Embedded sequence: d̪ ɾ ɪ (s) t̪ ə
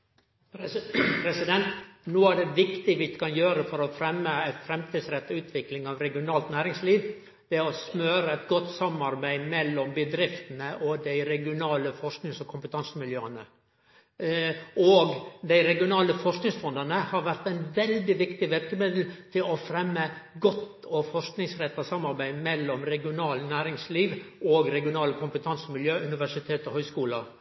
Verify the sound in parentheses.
incorrect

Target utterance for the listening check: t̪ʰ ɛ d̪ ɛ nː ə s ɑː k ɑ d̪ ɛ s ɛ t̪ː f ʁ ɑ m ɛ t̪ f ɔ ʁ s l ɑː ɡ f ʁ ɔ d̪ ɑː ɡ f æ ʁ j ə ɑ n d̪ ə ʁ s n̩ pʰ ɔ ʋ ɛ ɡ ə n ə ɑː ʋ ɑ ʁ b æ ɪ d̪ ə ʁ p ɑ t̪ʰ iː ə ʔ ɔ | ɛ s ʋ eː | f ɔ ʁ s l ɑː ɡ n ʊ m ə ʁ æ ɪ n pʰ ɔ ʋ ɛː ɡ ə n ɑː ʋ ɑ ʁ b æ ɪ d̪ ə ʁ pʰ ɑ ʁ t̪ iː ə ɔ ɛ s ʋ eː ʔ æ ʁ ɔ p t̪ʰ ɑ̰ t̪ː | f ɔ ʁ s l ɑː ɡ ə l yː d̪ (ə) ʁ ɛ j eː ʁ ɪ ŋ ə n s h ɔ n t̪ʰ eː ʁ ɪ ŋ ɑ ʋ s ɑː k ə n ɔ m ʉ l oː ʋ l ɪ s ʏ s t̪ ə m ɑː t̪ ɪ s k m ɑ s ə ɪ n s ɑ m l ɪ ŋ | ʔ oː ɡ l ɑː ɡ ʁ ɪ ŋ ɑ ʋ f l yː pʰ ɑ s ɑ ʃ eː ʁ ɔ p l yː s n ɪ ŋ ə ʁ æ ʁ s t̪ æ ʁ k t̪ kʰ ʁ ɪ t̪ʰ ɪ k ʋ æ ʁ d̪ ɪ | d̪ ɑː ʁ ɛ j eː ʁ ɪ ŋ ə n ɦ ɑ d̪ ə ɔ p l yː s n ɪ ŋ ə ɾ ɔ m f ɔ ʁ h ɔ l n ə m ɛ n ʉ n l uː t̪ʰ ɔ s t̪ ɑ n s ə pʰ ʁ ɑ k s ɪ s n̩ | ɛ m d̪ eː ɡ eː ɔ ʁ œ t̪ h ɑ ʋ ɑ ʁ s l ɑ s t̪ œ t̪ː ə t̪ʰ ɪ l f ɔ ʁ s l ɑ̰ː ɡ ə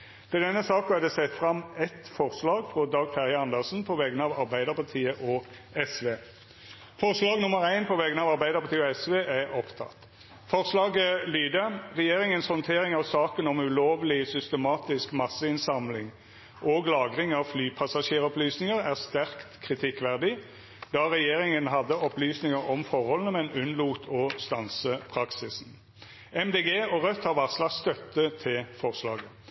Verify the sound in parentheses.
correct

